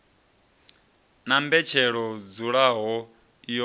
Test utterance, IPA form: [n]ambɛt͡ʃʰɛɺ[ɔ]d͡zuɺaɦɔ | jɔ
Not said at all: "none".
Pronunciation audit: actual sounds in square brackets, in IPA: n, ɔ

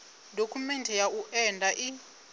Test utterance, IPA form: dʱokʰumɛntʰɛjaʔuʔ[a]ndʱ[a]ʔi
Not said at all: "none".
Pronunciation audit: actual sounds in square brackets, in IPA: ɛ, a

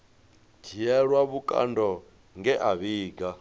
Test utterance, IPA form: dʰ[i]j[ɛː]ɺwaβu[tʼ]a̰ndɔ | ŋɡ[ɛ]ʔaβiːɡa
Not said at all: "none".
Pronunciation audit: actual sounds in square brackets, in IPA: i, ɛ, kʼ, ɛ

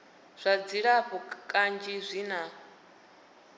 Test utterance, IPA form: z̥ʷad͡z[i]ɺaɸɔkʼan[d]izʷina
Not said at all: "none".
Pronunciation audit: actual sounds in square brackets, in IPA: i, d͡ʒ

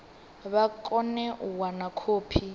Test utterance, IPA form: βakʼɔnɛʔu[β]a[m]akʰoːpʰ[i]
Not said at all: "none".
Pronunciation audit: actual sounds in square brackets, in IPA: w, n, i

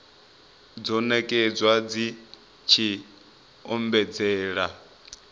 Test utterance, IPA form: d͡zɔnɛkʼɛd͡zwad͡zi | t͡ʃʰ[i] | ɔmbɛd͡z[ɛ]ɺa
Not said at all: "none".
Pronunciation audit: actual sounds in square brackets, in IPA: i, ɛː

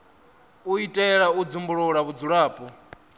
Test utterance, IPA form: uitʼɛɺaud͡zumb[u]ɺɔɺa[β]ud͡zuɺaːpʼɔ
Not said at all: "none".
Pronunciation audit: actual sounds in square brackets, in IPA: u, β

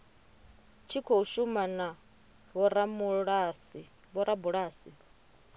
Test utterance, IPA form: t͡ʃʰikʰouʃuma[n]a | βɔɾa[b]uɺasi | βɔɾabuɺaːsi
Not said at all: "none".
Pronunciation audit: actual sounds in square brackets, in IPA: n, m

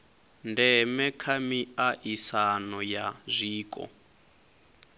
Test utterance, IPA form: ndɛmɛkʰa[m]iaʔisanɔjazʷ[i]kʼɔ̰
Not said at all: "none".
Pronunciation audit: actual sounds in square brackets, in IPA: m, iː

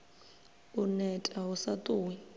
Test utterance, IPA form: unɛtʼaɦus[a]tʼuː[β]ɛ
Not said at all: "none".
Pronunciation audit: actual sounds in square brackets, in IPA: a, w

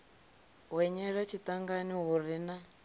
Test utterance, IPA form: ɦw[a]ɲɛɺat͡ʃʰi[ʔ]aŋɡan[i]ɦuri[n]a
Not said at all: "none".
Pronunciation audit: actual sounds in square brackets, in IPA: ɛ, t, i, n

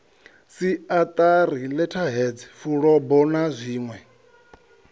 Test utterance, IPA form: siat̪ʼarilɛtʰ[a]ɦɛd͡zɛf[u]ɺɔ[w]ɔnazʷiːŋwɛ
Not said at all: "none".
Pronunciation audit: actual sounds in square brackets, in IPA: a, u, b

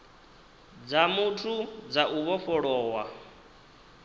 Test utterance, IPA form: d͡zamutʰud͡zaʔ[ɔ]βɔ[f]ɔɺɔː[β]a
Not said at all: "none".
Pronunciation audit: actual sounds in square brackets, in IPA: u, f, w

